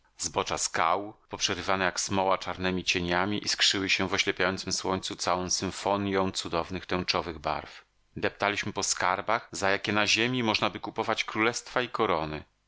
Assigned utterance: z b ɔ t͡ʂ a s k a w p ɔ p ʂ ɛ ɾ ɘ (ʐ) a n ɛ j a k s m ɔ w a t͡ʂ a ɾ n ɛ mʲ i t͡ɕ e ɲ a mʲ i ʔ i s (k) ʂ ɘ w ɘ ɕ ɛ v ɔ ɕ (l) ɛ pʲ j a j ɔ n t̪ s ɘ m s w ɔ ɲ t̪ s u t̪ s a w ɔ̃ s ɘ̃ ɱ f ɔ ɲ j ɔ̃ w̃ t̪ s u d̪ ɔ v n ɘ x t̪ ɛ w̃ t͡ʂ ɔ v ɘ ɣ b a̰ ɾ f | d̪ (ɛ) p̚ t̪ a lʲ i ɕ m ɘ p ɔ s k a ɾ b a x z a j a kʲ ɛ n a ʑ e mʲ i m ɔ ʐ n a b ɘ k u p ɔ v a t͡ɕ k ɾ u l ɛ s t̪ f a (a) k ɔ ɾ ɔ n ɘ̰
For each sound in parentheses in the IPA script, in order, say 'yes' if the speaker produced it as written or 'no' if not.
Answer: no, yes, yes, yes, no

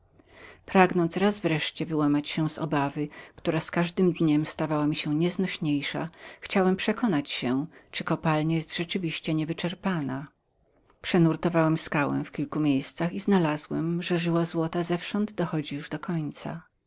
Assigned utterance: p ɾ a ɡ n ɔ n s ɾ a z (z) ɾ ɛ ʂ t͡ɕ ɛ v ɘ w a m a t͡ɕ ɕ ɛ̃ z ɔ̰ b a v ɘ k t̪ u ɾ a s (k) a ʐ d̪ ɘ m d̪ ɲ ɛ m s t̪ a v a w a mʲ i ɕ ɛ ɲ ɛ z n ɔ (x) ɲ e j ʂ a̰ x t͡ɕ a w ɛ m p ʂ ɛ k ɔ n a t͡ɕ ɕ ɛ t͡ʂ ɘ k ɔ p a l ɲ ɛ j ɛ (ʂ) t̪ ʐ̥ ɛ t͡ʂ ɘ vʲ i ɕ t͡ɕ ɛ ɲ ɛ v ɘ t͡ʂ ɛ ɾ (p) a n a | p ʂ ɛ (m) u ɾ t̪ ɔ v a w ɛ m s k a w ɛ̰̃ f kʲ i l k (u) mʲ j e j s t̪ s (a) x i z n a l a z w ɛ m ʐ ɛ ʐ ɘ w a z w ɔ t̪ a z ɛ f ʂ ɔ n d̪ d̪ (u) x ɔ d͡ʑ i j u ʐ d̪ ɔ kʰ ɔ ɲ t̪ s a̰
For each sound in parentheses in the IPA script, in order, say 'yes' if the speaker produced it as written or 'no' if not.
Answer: no, yes, no, no, yes, no, yes, yes, no

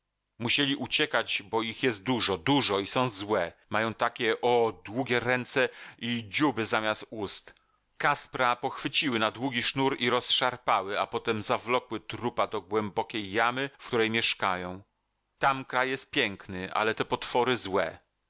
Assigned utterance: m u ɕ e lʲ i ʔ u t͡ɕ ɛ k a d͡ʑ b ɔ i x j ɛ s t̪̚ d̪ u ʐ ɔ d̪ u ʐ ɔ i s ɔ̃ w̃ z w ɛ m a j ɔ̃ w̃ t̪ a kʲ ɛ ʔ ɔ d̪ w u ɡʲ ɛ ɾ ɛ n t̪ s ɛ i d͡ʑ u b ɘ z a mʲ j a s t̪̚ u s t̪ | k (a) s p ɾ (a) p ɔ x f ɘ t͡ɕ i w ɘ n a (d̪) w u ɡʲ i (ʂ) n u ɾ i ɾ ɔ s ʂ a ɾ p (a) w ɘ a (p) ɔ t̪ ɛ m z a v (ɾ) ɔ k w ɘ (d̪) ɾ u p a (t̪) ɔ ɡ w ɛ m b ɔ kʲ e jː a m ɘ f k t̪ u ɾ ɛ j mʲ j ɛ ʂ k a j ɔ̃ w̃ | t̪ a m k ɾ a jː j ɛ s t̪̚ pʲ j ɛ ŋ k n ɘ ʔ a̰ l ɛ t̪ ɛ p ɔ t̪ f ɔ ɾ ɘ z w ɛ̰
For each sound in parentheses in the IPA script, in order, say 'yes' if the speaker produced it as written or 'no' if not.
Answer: yes, yes, yes, yes, yes, yes, no, no, no

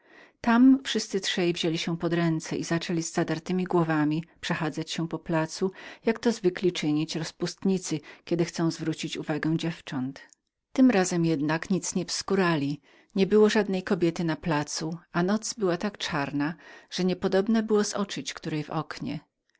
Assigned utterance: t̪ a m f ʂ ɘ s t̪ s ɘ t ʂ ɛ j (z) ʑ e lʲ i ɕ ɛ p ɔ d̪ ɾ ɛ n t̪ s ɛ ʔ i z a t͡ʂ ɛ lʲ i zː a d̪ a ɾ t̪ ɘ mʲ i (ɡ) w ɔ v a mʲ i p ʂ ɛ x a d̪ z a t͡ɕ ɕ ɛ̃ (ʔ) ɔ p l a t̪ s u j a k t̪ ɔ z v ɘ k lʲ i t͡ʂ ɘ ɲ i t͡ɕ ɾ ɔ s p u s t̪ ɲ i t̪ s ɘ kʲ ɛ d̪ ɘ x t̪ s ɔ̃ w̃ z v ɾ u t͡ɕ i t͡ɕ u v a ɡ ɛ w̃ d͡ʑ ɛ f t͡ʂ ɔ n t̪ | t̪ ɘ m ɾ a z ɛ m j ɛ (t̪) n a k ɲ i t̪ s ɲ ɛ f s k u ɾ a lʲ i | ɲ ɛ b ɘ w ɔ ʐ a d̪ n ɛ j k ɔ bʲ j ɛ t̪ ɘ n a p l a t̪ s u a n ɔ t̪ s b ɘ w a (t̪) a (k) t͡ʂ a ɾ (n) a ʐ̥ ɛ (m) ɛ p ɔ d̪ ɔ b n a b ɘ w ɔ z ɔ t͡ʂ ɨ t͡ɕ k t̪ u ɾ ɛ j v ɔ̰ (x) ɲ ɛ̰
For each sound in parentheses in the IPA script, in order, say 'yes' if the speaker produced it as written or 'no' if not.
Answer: no, yes, no, no, yes, yes, yes, no, no

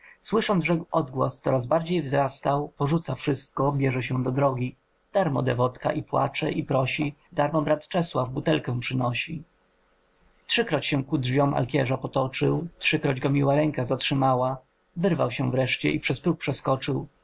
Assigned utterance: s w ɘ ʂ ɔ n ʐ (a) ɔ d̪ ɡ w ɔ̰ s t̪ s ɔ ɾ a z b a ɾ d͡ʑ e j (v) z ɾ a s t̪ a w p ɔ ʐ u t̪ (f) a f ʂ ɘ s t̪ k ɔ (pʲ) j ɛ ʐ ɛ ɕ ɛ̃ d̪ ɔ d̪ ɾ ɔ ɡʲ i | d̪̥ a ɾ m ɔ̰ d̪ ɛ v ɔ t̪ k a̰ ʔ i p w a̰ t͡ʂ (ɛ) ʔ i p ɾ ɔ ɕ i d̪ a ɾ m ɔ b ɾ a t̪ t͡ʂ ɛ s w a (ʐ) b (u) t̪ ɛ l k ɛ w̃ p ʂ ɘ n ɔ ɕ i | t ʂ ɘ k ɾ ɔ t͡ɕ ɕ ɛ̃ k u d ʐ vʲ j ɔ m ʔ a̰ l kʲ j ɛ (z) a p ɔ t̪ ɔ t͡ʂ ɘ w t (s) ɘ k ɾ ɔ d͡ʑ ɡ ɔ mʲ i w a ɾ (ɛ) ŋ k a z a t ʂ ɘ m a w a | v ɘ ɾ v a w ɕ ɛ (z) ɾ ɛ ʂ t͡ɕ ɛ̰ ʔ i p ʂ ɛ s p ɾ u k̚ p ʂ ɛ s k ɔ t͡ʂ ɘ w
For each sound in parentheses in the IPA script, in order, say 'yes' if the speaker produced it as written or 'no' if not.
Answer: no, yes, no, no, yes, no, yes, no, no, yes, no

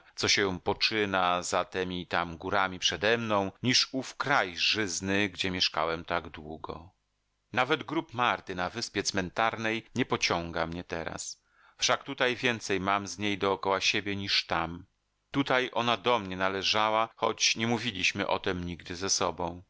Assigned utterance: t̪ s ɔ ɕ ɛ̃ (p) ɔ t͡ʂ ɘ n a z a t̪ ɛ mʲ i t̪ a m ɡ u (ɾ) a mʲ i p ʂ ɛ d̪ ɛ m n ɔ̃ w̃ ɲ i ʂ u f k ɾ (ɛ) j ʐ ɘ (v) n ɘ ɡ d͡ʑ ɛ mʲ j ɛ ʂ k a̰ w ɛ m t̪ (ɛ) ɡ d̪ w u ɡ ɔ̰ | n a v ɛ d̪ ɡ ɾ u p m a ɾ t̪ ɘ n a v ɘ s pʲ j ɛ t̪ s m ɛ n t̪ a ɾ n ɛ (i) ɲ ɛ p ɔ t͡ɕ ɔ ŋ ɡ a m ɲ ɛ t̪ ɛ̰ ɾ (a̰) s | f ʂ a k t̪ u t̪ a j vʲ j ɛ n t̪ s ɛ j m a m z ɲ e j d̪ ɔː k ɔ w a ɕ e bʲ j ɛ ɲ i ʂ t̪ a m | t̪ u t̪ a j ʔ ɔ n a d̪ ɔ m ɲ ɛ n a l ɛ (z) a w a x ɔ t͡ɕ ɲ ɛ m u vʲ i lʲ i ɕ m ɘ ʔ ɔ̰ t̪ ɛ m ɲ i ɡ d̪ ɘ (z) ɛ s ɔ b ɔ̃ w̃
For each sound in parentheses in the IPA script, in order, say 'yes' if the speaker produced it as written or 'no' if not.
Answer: yes, yes, no, no, no, no, yes, no, yes

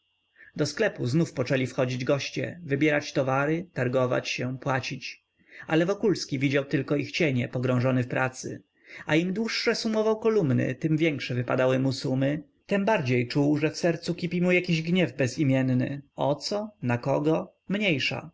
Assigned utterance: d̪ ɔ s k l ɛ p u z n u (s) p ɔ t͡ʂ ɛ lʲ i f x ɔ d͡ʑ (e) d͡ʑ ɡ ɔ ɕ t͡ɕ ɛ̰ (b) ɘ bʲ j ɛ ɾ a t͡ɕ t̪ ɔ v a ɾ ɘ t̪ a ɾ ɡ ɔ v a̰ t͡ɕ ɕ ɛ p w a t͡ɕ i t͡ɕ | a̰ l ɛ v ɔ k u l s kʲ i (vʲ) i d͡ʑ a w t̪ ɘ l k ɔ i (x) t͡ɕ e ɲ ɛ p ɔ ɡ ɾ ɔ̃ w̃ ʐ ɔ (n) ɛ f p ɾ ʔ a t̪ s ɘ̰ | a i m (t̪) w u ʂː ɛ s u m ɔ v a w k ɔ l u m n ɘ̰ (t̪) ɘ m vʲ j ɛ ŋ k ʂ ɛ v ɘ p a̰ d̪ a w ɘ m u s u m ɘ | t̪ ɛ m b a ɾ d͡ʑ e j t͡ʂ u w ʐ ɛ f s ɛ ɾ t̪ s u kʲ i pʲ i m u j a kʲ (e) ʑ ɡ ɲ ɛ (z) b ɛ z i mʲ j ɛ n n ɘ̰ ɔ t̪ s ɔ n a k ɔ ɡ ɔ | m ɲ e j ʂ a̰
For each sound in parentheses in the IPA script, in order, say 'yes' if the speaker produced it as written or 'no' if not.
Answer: no, no, no, yes, yes, yes, no, yes, no, no

